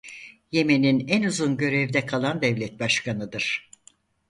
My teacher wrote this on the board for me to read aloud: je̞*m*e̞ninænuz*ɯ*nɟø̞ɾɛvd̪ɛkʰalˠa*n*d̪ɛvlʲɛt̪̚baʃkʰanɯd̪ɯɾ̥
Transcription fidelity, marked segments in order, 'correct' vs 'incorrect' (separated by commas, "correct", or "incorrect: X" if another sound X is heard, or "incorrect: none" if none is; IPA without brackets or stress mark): correct, incorrect: u, correct